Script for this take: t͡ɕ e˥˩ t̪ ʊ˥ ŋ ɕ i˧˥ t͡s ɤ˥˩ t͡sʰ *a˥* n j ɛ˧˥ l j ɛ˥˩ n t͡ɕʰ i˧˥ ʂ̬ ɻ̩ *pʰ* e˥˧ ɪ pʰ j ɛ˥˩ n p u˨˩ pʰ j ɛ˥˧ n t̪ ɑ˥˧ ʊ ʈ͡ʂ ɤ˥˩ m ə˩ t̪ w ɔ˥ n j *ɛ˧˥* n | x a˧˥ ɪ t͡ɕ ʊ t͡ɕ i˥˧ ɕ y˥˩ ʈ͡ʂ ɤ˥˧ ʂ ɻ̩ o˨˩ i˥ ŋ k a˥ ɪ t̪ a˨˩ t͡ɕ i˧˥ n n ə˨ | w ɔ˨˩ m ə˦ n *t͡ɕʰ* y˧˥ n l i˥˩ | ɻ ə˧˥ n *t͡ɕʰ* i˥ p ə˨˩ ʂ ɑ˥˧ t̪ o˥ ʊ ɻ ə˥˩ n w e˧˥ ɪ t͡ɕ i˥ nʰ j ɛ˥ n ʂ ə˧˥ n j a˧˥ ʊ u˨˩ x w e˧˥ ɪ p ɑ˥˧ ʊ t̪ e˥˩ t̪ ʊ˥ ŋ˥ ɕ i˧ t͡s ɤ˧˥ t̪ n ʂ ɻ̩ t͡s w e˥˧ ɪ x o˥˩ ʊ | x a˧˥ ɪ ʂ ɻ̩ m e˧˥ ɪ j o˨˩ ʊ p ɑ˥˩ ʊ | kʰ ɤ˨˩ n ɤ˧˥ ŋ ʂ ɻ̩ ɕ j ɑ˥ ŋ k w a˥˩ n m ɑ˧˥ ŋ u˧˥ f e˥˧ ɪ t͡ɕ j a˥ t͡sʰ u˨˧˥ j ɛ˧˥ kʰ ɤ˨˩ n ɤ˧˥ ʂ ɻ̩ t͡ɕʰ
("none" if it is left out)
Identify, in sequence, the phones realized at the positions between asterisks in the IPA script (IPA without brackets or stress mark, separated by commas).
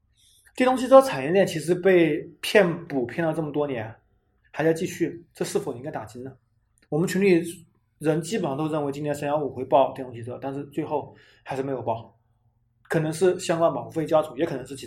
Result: a˨˩, p, ɛ˧˥, t͡ɕʰ, t͡ɕ